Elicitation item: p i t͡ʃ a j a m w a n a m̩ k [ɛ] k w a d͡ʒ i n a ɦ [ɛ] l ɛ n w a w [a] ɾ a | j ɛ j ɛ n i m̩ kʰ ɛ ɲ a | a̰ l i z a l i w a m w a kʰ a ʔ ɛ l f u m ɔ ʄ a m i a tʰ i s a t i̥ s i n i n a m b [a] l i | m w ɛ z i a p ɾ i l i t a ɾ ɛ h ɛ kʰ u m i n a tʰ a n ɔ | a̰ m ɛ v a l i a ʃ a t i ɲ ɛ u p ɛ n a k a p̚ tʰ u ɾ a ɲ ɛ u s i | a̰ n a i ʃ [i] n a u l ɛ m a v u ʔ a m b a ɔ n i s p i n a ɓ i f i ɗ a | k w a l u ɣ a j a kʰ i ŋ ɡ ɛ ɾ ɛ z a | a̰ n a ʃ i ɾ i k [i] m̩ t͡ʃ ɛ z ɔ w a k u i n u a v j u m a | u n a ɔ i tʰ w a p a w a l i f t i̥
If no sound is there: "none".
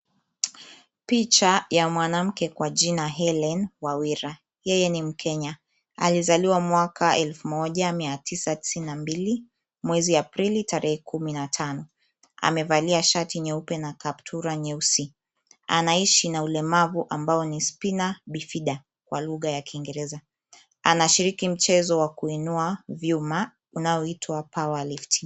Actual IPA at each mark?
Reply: ɛ, ɛ, i, i, i, i

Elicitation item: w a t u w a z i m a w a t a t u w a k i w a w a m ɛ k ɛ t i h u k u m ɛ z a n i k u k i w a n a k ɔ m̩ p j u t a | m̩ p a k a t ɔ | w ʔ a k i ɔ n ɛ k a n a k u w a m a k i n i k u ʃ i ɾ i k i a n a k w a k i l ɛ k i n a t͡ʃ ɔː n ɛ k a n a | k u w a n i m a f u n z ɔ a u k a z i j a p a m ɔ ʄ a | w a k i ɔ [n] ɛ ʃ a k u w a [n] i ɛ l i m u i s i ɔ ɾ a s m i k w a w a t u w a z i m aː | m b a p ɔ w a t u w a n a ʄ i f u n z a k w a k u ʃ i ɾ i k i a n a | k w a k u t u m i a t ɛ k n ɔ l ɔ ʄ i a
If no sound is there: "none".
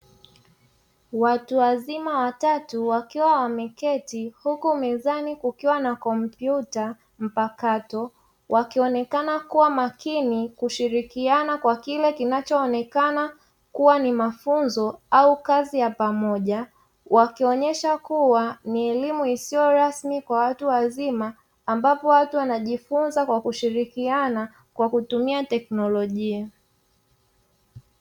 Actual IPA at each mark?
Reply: ɲ, n

